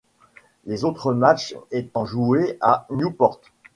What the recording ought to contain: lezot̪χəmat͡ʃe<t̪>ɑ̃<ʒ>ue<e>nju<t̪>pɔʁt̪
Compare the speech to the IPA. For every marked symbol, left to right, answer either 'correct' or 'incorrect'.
correct, correct, incorrect: a, incorrect: none

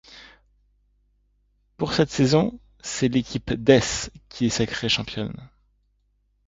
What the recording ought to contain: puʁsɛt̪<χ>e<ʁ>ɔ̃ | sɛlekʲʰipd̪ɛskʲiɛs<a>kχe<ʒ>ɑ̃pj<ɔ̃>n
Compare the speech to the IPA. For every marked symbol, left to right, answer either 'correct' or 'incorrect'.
incorrect: s, incorrect: z, correct, incorrect: ʃ, incorrect: ɔ

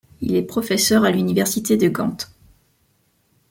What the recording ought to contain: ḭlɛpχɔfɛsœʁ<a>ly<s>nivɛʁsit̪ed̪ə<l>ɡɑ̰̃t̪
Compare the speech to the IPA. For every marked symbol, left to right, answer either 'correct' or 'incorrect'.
correct, incorrect: none, incorrect: none

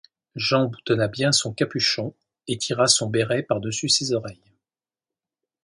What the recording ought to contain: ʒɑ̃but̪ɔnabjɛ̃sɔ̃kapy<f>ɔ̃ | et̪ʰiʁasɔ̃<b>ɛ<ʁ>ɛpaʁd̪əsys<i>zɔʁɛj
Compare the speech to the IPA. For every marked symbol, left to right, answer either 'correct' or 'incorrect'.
incorrect: ʃ, correct, correct, incorrect: e

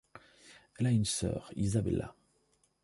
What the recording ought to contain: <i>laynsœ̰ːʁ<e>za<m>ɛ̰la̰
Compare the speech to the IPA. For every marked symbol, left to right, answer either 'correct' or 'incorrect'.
incorrect: ɛ, incorrect: i, incorrect: b

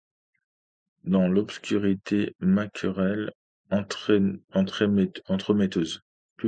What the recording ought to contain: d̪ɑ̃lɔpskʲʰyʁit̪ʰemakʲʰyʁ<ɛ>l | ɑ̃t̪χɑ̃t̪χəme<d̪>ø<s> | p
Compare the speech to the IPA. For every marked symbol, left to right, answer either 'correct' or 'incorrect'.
correct, incorrect: t̪, incorrect: z

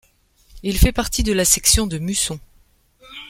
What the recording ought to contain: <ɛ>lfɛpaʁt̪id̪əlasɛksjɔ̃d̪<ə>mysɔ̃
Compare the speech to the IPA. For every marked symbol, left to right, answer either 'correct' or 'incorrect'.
incorrect: i, correct

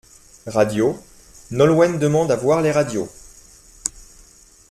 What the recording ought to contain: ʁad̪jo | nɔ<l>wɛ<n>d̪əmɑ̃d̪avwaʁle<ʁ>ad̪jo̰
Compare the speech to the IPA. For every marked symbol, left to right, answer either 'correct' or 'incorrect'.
correct, correct, correct

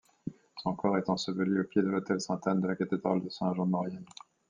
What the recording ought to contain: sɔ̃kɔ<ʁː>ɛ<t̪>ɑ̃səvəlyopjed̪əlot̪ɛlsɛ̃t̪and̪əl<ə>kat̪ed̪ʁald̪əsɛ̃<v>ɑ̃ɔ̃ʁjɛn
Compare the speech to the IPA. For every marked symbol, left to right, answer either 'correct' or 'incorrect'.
incorrect: ʁ, correct, incorrect: a, incorrect: ʒ

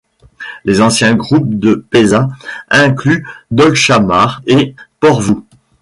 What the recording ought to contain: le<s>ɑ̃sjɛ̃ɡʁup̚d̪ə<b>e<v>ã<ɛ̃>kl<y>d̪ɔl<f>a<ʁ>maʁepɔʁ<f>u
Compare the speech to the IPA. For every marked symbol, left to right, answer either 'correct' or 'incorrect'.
incorrect: z, incorrect: p, incorrect: z, correct, correct, incorrect: ʃ, incorrect: none, incorrect: v

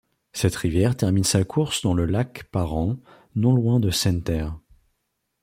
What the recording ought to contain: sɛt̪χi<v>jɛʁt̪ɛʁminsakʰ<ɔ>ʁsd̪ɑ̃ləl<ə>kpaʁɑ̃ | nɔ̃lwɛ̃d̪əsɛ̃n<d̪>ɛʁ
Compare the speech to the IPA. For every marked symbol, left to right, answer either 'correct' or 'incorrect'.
correct, incorrect: u, incorrect: a, incorrect: t̪

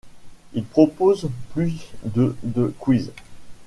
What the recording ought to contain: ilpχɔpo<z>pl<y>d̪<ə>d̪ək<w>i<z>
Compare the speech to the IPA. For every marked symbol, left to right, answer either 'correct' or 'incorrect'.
correct, correct, correct, correct, correct

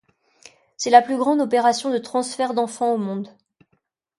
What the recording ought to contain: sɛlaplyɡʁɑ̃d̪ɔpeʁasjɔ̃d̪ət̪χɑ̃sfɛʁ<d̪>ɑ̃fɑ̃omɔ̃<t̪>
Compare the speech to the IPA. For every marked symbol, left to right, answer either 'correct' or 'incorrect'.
correct, incorrect: d̪

